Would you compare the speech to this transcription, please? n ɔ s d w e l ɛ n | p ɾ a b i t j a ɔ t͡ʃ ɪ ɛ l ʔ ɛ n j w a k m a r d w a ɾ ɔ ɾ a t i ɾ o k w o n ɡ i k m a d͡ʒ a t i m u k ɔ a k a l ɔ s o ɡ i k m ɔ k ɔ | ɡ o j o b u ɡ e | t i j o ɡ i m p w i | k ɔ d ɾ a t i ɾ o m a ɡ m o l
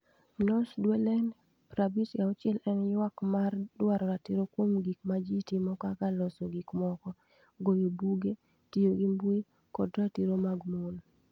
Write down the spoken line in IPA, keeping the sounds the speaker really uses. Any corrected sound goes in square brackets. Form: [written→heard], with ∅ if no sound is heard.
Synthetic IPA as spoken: n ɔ s d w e l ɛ n | p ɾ a b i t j a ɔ t͡ʃ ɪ ɛ l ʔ ɛ n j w a k m a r d w a ɾ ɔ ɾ a t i ɾ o k w o [n→m] ɡ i k m a d͡ʒ [a→i] t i m [u→ɔ] k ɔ a k a l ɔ s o ɡ i k m ɔ k ɔ | ɡ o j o b u ɡ e | t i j o ɡ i m [p→b] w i | k ɔ d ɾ a t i ɾ o m a ɡ m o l